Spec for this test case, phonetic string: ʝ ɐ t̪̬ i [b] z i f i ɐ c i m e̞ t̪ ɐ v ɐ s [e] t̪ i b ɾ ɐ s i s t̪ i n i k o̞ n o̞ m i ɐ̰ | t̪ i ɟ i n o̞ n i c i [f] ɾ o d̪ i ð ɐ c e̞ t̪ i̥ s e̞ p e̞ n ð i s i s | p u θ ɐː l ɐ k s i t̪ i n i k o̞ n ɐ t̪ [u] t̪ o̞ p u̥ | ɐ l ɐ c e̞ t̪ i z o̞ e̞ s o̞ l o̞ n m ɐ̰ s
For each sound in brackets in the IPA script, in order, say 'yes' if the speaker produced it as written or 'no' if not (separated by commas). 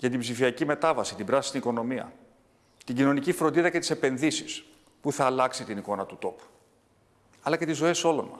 yes, no, yes, yes